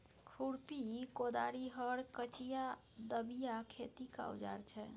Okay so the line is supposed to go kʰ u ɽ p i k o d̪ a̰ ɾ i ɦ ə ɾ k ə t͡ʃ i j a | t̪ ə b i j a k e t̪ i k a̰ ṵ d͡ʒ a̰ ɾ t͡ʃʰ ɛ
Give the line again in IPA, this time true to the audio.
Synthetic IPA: kʰ u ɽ p i k o d̪ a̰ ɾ i ɦ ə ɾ k ə t͡ʃ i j a | d̪ ə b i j a kʰ e t̪ i k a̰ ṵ d͡ʒ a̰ ɾ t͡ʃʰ ɛ